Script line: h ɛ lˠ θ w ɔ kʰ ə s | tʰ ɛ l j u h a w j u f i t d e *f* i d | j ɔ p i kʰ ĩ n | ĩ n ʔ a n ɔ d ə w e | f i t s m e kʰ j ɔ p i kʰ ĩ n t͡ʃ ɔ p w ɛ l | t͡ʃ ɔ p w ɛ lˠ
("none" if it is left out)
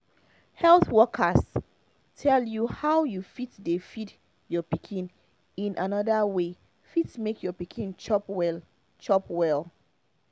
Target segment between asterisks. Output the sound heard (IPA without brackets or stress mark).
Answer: f